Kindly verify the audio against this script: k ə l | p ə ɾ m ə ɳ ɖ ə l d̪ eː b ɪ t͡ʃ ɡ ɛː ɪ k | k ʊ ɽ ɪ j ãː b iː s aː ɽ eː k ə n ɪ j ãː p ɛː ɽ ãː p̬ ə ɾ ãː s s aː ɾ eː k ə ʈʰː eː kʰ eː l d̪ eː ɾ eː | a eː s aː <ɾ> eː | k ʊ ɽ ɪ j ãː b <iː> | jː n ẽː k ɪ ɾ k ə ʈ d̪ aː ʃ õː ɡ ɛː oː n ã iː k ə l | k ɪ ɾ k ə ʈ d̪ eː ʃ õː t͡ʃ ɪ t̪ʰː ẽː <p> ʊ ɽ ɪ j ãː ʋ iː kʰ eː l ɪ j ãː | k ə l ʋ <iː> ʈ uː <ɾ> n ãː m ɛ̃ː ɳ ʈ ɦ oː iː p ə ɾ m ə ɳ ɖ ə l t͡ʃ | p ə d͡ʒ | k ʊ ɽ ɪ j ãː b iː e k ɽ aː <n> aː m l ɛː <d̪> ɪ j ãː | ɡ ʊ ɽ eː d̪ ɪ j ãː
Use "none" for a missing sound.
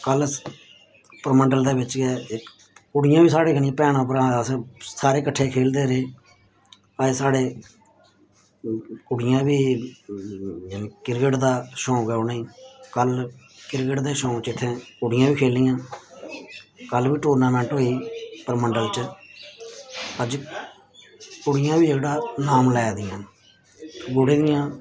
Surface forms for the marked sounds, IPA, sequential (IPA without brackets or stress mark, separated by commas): ɽ, iː, k, iː, ɾ, n, d̪